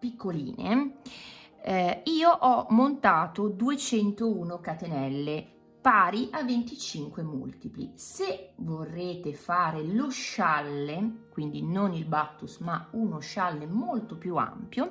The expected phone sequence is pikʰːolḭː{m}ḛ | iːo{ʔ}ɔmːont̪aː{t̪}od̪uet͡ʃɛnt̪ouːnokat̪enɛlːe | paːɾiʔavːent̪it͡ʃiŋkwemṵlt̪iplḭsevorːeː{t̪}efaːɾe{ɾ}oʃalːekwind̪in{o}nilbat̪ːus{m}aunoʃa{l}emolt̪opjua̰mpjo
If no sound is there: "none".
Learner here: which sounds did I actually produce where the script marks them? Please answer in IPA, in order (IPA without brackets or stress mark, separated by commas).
n, ʔ, t̪, t̪, l, o, m, lː